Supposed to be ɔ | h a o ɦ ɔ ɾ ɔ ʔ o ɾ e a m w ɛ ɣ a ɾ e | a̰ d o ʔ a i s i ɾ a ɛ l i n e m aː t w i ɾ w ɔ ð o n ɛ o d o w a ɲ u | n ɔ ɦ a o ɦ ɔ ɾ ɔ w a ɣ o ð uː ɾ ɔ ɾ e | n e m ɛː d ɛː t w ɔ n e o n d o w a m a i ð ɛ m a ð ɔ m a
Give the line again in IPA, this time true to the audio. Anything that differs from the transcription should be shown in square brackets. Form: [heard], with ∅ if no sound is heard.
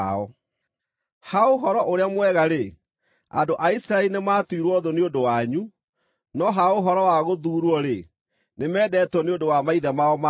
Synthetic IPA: ɔ | h a o ɦ ɔ ɾ ɔ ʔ o ɾ e a m w ɛ ɣ a ɾ e | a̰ d o ʔ a i s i ɾ a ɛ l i n e m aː t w i ɾ w ɔ ð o n [e] o d o w a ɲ u | n ɔ ɦ a o ɦ ɔ ɾ ɔ w a ɣ o ð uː ɾ ɔ ɾ e | n e m ɛː d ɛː t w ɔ n e o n d o w a m a i ð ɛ m a [∅] ɔ m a